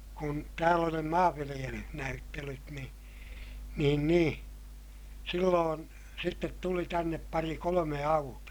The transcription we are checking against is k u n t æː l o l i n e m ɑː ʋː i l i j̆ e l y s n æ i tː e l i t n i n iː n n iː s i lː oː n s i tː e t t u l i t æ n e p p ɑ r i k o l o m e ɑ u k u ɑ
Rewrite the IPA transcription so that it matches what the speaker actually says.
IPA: k u n t æː l o l i n e m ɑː ʋː i l i j̆ e l y h n æ y tː e l y t n i n iː n n iː s i lː oː n s i tː e t t u l i t æ nː e p p ɑ r i k o l o m e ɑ u t u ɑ